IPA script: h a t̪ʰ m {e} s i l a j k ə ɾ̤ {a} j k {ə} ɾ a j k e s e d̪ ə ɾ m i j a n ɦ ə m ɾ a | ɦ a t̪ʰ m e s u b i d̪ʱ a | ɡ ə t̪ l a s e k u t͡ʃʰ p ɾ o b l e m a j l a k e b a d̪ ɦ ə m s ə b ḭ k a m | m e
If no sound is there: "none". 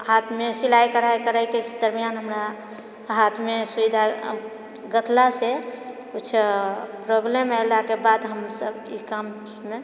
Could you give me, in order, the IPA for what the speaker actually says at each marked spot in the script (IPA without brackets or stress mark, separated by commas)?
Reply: e, a, ə